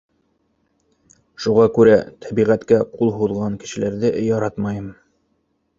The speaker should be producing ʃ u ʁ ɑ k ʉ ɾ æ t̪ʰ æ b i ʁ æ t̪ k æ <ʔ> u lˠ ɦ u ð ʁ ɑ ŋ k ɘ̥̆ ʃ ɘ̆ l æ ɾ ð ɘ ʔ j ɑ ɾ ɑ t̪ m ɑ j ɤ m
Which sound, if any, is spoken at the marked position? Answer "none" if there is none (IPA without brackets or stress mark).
q